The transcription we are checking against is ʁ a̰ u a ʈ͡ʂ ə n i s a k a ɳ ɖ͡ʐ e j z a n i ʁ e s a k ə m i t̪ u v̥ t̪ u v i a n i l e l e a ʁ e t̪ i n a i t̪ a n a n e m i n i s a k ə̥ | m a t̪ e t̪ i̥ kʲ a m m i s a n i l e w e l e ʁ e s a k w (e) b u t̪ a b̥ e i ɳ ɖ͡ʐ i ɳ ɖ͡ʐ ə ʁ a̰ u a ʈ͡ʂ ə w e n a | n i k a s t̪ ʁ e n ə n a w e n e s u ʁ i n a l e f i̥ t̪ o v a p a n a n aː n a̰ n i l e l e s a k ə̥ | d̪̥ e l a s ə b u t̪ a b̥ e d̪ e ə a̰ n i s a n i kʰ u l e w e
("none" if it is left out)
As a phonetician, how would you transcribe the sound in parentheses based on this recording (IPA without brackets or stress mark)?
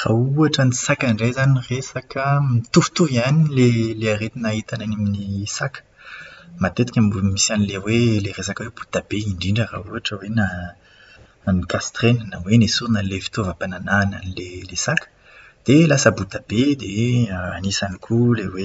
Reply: e